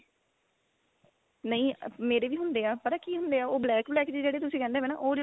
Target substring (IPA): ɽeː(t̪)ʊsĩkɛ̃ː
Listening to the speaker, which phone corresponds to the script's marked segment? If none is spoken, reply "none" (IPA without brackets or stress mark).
t̪